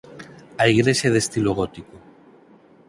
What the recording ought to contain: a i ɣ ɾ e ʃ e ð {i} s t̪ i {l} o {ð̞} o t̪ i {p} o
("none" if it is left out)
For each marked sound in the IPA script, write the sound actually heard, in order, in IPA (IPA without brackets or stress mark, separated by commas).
e, l, ɣ̞, k